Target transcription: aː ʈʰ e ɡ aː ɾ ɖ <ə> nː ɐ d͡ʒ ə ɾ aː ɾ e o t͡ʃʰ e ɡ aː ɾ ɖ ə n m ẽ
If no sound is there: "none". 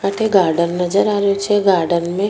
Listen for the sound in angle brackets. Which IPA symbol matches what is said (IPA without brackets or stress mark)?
ə